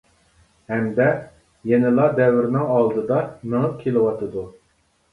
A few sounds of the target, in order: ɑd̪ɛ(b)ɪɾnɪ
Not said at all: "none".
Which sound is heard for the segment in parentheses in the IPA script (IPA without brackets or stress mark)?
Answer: w